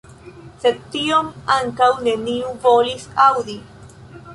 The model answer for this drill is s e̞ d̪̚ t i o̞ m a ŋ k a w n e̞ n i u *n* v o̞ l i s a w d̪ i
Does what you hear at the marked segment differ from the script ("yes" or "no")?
yes